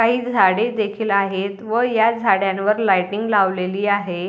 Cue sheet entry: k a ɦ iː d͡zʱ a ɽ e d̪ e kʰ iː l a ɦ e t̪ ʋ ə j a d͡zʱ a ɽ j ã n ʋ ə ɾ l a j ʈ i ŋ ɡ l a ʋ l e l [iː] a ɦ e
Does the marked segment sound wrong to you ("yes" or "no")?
no